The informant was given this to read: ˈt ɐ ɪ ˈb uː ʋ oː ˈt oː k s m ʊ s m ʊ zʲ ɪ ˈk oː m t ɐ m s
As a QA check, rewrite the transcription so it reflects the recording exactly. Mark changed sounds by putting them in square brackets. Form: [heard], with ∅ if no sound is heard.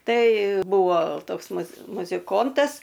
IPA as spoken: ˈt ɐ ɪ ˈb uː ʋ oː ˈt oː k s m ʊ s m ʊ zʲ ɪ ˈk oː [n] t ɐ [∅] s